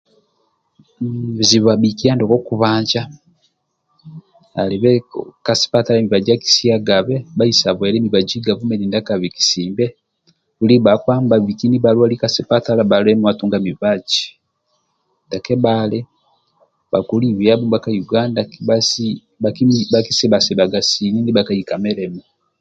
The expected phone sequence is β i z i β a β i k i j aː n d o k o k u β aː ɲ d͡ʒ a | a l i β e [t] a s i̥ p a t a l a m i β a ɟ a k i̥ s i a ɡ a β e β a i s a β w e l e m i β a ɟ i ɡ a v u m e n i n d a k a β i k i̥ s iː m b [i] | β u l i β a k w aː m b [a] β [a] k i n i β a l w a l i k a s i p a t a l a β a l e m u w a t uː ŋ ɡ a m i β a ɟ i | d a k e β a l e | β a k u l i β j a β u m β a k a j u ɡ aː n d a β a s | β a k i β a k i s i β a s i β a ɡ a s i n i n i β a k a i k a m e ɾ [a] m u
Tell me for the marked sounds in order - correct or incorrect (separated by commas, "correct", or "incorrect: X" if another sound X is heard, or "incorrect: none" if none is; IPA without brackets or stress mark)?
incorrect: k, incorrect: e, correct, incorrect: i, incorrect: e